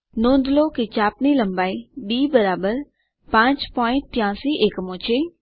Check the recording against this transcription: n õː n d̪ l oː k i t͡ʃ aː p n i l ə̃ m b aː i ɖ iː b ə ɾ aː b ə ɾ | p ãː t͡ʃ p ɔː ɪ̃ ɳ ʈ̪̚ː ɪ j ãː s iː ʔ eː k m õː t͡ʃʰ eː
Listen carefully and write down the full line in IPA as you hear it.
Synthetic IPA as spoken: n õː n d̪ l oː k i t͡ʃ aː p n i l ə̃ m b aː i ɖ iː b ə ɾ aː b ə ɾ | p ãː t͡ʃ p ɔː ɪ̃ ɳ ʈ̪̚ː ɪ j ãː s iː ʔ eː k m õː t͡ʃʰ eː

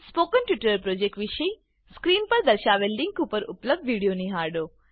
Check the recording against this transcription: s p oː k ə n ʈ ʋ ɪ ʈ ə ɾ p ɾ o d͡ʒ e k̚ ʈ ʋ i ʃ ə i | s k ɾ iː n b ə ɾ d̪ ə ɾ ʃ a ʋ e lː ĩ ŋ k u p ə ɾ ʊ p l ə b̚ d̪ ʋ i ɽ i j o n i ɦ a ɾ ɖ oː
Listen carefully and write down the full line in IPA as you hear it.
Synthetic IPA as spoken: s p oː k ə n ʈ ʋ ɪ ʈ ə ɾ p ɾ o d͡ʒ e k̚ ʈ ʋ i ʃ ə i | s k ɾ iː n p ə ɾ d̪ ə ɾ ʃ a ʋ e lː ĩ ŋ k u p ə ɾ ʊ p l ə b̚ d̪ ʋ i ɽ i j o n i ɦ a ɾ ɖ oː

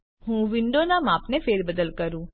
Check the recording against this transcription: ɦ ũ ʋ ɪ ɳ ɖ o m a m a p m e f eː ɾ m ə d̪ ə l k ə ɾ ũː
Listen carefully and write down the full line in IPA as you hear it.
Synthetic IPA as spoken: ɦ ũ ʋ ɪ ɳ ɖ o n a m a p n e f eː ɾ b ə d̪ ə l k ə ɾ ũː

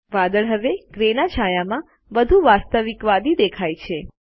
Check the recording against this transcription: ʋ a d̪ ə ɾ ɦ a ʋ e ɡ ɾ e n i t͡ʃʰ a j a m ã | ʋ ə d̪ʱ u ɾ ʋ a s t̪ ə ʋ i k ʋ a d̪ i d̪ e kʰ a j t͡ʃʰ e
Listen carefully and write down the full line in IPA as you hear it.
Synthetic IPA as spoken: ʋ a d̪ ə ɭ ɦ ə ʋ e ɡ ɾ e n a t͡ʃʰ a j a m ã | ʋ ə d̪ʱ u ʋ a s t̪ ə ʋ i k ʋ a d̪ i d̪ e kʰ a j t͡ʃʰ e

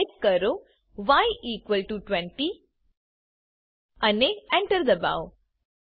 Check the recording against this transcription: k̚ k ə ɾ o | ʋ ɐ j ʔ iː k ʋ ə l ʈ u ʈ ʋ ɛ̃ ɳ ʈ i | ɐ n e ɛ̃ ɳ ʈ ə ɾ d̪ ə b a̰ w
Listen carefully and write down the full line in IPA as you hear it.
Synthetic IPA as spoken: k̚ k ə ɾ o | ʋ a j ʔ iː k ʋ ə l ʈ u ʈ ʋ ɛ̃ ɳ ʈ i | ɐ n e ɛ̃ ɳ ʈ ə ɾ d̪ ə b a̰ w

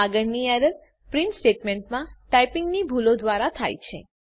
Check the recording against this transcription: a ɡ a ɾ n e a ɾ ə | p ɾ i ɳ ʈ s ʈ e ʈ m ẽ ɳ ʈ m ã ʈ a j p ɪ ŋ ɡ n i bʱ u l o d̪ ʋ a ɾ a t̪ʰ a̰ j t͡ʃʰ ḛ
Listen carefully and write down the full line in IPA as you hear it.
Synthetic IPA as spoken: a ɡ ə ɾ n i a ɾ ə | p ɾ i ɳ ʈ s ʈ e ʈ m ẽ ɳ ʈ m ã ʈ a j p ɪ ŋ ɡ n i bʱ u l o d̪ ʋ a ɾ a t̪ʰ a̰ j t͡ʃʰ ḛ

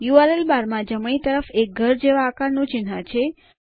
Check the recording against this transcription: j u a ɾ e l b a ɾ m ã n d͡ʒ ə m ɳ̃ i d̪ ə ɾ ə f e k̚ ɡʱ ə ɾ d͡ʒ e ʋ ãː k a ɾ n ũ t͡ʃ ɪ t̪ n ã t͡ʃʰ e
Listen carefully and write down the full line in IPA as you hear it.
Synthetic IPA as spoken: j u a ɾ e l b a ɾ m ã d͡ʒ ə m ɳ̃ i t̪ ə ɾ ə f e k̚ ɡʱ ə ɾ d͡ʒ e ʋ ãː k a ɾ n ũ t͡ʃ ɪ n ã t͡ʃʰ e

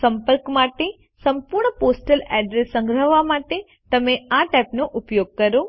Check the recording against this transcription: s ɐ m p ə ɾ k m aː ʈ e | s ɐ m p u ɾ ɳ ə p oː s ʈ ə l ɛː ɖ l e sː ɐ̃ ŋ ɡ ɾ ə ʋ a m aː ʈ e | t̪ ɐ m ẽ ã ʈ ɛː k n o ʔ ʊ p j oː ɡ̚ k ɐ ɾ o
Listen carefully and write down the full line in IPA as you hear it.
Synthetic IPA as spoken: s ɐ m p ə ɾ k m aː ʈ e | s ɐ m p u ɾ ɳ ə p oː s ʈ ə l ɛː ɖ ɾ e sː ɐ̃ ŋ ɡ ɾ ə ʋ a m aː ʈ e | t̪ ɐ m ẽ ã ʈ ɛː p n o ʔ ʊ p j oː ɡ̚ k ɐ ɾ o

